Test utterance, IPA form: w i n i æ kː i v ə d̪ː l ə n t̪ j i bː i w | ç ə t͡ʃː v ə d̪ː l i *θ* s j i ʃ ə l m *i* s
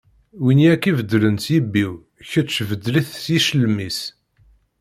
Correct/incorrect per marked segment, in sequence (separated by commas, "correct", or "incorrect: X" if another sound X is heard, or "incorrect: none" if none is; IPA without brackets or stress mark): correct, correct